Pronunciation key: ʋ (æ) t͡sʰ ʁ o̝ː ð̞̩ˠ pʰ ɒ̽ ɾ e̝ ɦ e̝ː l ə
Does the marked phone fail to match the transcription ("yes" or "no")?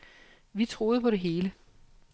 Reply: yes